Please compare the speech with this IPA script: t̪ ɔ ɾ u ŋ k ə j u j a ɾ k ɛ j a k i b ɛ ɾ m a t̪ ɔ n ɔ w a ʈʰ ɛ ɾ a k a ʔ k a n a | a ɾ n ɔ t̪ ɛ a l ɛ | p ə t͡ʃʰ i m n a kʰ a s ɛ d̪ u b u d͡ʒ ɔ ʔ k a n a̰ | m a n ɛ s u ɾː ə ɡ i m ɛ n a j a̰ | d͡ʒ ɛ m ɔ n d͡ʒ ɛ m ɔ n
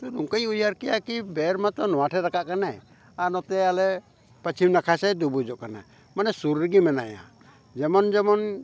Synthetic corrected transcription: t̪ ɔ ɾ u ŋ k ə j u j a ɾ k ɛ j a k i b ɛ ɾ m a t̪ ɔ n ɔ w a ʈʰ ɛ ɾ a k a ʔ k a n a | a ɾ n ɔ t̪ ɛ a l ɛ | p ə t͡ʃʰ i m n a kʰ a s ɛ d̪ u b u d͡ʒ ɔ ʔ k a n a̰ | m a n ɛ s u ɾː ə ɡ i m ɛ n a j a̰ | d͡ʒ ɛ m ɔ n d͡ʒ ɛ m ɔ n